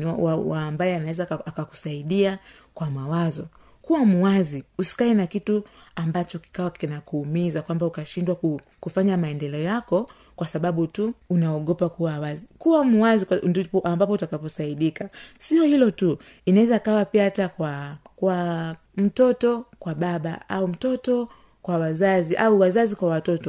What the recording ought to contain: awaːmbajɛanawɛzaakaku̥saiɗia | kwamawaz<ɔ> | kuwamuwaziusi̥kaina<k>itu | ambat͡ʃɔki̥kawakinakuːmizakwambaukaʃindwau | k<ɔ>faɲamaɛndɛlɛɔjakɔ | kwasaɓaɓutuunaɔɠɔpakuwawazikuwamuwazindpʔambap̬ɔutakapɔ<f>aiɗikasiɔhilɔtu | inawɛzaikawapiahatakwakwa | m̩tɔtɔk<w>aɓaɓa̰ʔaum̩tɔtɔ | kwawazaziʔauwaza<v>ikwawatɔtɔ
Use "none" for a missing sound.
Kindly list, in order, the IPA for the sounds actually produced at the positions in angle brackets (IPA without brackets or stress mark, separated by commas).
ɔ, k, u, s, w, z